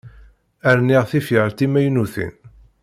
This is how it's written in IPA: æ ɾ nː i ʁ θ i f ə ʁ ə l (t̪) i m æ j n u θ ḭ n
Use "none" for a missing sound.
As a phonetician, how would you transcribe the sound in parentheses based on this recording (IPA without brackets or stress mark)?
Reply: t̪